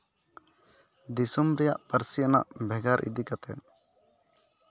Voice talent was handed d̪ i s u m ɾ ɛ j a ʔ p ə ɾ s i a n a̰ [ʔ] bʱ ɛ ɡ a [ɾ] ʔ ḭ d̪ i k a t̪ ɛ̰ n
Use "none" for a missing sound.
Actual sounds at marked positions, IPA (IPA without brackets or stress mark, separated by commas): ʔ, ɾ